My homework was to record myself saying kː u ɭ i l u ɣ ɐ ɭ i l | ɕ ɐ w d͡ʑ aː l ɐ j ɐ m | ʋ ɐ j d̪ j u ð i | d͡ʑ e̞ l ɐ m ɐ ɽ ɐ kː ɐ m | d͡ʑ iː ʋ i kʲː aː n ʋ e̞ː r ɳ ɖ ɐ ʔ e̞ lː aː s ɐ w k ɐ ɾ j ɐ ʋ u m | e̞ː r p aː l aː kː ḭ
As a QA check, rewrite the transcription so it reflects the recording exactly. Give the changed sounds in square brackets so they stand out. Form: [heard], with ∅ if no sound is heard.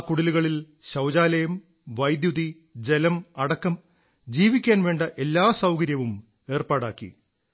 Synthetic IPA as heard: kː u [ɽ] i l u ɣ ɐ ɭ i l | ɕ ɐ w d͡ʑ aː l ɐ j ɐ m | ʋ ɐ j d̪ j u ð i | d͡ʑ e̞ l ɐ m ɐ ɽ ɐ kː ɐ m | d͡ʑ iː ʋ i kʲː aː n ʋ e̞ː [∅] ɳ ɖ ɐ ʔ e̞ lː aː s ɐ w k ɐ ɾ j ɐ ʋ u m | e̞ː r p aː [ɽ] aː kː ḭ